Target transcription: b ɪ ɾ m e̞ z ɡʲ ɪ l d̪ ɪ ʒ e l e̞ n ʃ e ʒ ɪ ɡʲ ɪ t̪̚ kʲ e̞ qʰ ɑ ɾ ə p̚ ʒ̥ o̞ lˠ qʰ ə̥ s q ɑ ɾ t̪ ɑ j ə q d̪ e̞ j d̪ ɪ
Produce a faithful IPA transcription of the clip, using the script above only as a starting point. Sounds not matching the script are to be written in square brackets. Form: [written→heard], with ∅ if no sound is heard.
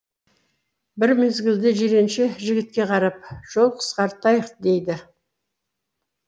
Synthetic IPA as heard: b ɪ ɾ m e̞ z ɡʲ ɪ l d̪ ɪ ʒ e [l→ɾ] e̞ n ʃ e ʒ ɪ ɡʲ ɪ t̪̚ kʲ e̞ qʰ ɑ ɾ [ə→ɑ] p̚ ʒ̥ o̞ lˠ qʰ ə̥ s q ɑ ɾ t̪ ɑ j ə q d̪ e̞ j d̪ ɪ